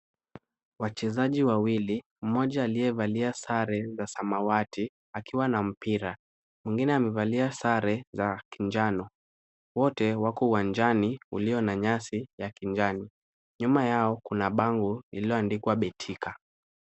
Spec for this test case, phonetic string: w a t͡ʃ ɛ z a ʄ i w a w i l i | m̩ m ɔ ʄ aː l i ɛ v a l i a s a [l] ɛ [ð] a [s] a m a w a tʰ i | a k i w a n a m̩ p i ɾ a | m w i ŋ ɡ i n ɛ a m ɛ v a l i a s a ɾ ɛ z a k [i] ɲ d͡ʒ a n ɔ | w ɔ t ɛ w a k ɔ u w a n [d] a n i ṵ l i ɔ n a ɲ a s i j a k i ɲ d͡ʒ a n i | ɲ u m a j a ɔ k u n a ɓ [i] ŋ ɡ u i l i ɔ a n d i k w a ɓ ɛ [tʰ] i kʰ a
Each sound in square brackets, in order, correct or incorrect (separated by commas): incorrect, incorrect, correct, correct, incorrect, incorrect, correct